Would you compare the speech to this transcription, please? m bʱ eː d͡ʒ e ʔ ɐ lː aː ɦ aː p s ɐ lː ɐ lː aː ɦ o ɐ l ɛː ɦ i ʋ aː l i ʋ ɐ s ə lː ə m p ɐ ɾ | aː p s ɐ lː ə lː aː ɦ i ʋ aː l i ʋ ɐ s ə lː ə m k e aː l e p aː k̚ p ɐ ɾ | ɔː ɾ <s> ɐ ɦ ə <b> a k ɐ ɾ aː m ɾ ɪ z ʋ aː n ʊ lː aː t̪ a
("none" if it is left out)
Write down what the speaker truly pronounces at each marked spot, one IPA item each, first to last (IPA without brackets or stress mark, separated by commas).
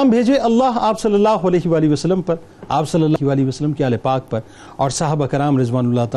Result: s, b